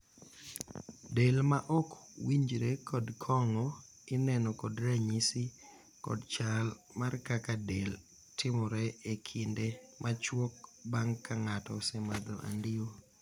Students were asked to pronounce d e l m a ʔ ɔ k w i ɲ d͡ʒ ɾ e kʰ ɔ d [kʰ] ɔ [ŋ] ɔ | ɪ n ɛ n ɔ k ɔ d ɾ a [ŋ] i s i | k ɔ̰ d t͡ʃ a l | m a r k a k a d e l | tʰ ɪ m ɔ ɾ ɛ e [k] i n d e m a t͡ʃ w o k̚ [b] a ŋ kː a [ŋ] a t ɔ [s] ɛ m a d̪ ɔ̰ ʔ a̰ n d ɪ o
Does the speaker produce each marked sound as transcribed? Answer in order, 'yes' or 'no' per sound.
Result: yes, yes, no, no, yes, yes, yes

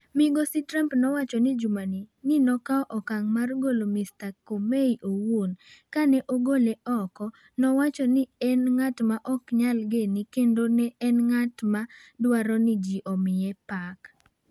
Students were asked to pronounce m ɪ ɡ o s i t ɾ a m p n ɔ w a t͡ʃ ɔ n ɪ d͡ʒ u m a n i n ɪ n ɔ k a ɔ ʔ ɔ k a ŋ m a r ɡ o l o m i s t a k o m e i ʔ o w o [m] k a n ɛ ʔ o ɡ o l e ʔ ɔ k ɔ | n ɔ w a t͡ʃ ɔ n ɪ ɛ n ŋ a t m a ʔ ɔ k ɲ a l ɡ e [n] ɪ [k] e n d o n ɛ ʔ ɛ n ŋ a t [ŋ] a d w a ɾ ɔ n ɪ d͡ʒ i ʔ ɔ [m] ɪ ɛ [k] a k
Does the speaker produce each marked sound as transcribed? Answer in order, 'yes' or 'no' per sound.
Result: no, yes, yes, no, yes, no

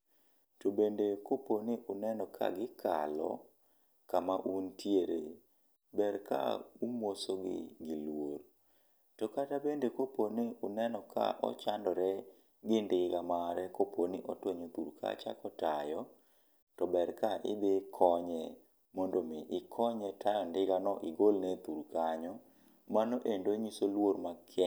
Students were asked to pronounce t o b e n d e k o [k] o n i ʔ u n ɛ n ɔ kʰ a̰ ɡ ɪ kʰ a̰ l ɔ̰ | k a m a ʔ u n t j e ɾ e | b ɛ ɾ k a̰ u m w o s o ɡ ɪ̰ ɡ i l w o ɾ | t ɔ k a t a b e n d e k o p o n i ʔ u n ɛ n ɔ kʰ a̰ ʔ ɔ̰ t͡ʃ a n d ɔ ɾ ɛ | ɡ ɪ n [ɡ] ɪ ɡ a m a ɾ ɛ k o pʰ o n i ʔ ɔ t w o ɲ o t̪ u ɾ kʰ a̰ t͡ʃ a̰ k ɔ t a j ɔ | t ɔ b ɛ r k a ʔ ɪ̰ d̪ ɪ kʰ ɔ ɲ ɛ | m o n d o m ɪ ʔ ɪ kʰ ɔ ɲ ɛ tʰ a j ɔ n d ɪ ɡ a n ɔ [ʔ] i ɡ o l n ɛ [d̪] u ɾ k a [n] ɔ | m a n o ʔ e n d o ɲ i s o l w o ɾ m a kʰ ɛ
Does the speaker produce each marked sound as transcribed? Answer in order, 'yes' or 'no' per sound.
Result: no, no, yes, no, no

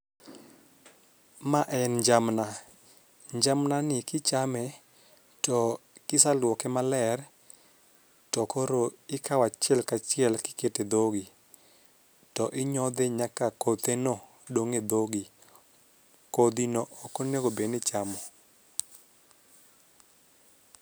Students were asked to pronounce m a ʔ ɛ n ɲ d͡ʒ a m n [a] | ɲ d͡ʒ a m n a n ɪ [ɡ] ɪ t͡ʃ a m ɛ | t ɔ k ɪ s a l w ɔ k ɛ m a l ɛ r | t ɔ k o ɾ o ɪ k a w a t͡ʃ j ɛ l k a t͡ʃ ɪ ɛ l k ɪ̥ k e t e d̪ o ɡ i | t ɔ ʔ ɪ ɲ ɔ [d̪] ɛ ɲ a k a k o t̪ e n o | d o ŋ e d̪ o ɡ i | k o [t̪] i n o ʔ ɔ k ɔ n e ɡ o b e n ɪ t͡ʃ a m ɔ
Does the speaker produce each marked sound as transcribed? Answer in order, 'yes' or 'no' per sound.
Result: yes, no, yes, no

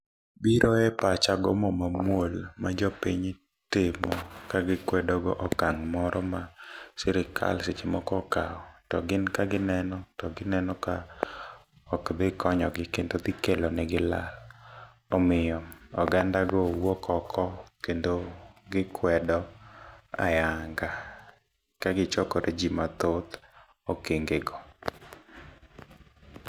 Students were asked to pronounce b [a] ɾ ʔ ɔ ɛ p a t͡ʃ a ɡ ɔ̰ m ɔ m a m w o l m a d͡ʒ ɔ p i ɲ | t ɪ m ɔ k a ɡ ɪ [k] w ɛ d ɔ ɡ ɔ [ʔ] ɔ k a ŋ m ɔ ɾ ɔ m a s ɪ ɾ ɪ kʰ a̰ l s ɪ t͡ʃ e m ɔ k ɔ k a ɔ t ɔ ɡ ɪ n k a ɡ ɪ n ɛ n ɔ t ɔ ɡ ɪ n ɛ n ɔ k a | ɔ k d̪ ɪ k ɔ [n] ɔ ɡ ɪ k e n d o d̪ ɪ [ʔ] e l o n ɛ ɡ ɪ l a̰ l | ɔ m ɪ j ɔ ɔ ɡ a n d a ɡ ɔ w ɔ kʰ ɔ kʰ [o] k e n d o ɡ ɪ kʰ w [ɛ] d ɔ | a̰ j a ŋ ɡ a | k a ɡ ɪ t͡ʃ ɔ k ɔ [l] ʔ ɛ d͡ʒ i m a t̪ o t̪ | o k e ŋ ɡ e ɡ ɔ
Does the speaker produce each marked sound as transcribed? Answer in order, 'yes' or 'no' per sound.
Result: no, yes, yes, no, no, no, yes, no

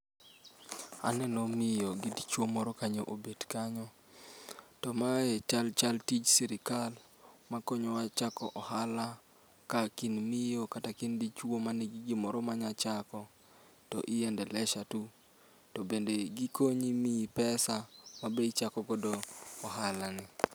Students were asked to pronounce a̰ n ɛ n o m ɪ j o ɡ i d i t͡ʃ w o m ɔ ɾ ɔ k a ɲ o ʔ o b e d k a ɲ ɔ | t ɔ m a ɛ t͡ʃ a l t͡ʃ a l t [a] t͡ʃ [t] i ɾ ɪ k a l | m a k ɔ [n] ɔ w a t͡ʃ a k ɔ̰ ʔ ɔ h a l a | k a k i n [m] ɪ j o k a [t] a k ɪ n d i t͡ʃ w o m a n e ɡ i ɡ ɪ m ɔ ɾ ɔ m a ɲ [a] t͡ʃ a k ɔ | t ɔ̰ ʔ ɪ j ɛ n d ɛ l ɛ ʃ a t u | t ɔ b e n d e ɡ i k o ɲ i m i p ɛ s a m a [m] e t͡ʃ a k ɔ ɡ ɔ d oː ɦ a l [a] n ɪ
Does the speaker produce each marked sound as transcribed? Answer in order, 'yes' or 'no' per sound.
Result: no, no, no, yes, yes, yes, no, yes

